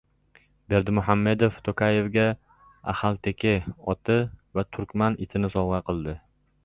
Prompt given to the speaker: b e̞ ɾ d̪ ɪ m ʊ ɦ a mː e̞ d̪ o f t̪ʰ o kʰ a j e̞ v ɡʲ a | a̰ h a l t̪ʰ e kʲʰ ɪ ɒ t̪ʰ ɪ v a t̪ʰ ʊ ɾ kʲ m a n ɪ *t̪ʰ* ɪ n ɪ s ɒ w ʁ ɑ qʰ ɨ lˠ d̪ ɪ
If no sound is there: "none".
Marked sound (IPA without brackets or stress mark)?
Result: t̪ʰ